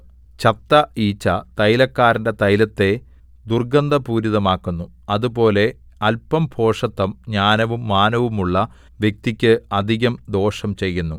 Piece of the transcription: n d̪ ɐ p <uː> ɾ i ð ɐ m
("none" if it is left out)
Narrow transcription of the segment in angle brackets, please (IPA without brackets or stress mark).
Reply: uː